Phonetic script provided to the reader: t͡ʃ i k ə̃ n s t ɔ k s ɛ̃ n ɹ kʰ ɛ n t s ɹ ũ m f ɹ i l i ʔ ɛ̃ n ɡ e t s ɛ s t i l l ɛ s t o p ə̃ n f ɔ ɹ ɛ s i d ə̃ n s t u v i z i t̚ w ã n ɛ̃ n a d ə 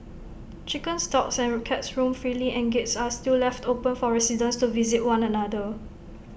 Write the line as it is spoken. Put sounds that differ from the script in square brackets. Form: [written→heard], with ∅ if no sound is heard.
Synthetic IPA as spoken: t͡ʃ i k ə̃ n s t ɔ k s ɛ̃ n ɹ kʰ ɛ [n→∅] t s ɹ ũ m f ɹ i l i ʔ ɛ̃ n ɡ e t s [ɛ→a] s t i l l ɛ [s→f] t o p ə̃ n f ɔ ɹ ɛ s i d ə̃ n s t u v i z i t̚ w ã n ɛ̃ n a d ə

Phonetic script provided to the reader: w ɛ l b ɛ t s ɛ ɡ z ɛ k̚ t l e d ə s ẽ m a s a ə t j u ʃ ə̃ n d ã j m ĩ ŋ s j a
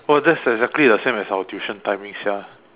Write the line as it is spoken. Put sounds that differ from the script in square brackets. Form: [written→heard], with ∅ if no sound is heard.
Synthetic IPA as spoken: w ɛ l [b→d] ɛ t s ɛ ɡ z ɛ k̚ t l [e→i] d ə s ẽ m [a→ɛ] s a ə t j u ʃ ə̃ n [d→t] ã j m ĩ ŋ s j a

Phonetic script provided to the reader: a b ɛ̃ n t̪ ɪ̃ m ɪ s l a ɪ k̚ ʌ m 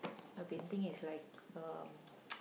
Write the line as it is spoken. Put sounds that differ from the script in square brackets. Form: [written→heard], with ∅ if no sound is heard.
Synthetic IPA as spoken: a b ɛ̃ n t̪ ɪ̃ [m→ŋ] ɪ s l a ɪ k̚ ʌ m

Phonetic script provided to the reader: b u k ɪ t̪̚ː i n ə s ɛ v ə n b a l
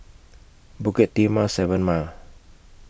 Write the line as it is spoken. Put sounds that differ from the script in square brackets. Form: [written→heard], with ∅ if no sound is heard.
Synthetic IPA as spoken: b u k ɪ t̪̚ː i [n→m] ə s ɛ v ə n [b→m] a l

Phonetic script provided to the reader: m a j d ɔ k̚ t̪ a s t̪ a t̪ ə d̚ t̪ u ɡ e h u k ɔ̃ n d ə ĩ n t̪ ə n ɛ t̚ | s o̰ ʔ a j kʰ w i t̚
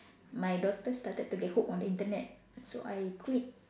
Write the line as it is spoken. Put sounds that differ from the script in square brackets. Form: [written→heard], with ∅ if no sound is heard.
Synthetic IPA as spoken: m a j d ɔ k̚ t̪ [a→ə] s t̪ a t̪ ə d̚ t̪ u ɡ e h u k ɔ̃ n d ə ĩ n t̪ ə n ɛ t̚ | s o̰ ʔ a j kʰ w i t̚

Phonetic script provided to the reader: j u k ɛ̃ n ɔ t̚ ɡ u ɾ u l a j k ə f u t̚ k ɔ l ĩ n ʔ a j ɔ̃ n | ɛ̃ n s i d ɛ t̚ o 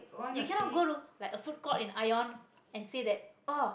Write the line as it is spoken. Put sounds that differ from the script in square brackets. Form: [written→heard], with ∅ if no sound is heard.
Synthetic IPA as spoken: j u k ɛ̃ n ɔ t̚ ɡ [u→o] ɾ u l a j k ə f u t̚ k ɔ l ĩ n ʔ a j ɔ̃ n | ɛ̃ n s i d ɛ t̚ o

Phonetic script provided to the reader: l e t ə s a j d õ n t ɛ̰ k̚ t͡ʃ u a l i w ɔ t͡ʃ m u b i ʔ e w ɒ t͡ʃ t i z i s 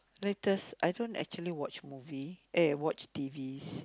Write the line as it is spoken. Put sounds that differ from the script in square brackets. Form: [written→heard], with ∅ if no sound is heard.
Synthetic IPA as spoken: l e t ə s a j d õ n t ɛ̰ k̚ t͡ʃ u [a→ə] l i w ɔ t͡ʃ m u [b→v] i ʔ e w [ɒ→ɔ] t͡ʃ t i [z→v] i s

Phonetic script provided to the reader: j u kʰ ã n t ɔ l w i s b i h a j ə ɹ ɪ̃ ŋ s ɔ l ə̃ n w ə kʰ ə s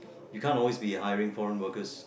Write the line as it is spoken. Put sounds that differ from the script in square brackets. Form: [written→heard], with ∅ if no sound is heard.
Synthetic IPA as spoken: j u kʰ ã n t ɔ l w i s b i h a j ə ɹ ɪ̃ ŋ [s→f] ɔ [l→ɹ] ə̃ n w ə [kʰ→k] ə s

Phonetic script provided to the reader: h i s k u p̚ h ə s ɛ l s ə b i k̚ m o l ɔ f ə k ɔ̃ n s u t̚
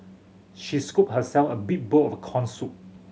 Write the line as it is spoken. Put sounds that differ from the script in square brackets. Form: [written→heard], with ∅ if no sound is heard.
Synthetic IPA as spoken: [h→ʃ] i s k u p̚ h ə s ɛ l [s→f] ə b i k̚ [m→b] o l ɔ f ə [k→kʰ] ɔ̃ n s u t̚

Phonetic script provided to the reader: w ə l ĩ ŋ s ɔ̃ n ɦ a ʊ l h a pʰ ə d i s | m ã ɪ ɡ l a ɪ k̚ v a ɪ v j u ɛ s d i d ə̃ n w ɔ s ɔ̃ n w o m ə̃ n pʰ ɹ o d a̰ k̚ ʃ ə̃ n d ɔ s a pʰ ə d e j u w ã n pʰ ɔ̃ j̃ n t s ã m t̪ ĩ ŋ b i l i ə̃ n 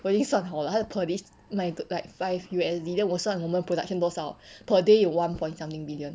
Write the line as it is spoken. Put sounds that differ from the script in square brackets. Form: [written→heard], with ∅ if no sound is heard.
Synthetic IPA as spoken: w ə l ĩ ŋ s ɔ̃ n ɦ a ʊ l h a pʰ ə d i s | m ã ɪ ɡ l a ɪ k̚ [v→f] a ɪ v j u ɛ s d i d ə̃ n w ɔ s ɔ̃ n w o m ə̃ n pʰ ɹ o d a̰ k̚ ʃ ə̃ n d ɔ s a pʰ ə d e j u w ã n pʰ ɔ̃ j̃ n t s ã m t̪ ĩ ŋ b i l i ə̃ n

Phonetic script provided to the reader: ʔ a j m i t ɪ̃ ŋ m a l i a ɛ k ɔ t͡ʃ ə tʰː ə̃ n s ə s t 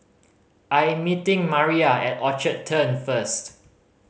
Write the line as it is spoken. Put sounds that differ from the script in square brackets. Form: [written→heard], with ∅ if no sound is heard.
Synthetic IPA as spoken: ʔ a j m i t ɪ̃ ŋ m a [l→ɹ] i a ɛ [k→t] ɔ t͡ʃ ə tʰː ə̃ n [s→f] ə s t

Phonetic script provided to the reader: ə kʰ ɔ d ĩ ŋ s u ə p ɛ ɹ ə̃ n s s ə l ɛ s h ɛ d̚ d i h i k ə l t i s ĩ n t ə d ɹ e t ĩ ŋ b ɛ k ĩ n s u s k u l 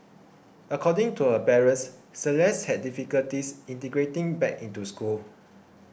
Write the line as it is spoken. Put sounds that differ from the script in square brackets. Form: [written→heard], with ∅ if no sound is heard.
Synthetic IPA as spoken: ə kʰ ɔ d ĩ ŋ [s→t] u ə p ɛ ɹ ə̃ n s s ə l ɛ s h ɛ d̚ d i [h→f] i k ə l t i s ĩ n t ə [d→ɡ] ɹ e t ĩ ŋ b ɛ k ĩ n [s→t] u s k u l

